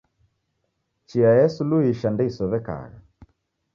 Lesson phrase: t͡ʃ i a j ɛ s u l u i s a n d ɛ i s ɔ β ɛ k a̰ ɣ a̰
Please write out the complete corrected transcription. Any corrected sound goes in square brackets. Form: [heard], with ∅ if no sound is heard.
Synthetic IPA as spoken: t͡ʃ i a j ɛ s u l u i [ʃ] a n d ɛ i s ɔ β ɛ k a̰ ɣ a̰